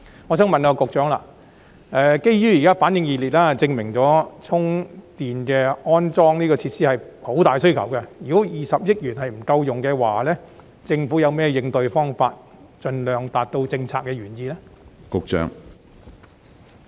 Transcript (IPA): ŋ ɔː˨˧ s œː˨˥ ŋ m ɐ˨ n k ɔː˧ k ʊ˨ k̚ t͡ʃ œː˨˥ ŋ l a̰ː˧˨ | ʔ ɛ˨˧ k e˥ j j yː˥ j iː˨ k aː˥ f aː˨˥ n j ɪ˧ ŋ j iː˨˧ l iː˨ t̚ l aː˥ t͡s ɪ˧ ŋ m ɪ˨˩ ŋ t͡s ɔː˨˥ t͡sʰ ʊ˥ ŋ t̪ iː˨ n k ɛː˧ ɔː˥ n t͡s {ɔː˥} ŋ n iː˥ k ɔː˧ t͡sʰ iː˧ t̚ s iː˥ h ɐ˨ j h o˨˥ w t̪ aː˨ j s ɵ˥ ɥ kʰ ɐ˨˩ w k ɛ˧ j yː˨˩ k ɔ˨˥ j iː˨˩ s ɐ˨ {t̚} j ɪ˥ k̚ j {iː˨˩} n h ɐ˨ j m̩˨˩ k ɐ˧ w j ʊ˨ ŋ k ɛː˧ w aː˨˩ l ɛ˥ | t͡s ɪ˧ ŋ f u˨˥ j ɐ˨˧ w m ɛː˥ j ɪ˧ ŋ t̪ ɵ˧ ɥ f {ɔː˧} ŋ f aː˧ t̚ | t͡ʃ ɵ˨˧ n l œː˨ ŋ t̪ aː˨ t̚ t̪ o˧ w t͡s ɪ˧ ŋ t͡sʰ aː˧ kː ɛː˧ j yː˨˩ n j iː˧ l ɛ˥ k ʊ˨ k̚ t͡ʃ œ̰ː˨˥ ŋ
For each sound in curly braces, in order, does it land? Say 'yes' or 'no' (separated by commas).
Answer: yes, no, no, no